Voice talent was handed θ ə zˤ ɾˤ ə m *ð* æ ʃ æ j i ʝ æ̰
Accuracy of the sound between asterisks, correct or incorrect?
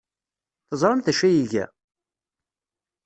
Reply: incorrect